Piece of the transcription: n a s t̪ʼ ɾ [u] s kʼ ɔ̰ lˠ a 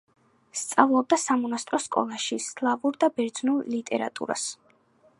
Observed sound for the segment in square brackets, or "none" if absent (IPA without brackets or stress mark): ɔ